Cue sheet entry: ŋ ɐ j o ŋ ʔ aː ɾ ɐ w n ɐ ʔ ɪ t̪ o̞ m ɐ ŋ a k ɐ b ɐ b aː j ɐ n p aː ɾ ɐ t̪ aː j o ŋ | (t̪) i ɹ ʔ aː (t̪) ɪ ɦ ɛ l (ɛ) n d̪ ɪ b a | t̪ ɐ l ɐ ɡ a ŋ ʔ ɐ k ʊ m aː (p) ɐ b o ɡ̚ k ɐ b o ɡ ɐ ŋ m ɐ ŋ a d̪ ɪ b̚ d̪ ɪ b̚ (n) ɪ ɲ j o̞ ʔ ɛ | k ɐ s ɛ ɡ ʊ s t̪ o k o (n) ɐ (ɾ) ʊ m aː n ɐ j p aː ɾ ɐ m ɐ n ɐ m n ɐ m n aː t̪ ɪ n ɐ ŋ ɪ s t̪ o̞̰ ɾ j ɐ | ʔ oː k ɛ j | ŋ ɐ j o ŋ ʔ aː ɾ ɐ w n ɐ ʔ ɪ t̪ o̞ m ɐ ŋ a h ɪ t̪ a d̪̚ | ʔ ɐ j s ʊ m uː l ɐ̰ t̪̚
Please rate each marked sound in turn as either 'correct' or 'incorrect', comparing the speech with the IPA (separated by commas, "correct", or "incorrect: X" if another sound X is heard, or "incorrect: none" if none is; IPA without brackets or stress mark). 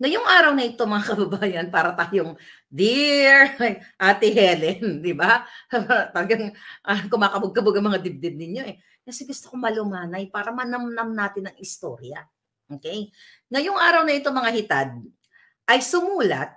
incorrect: d̪, correct, correct, incorrect: k, correct, incorrect: m, incorrect: l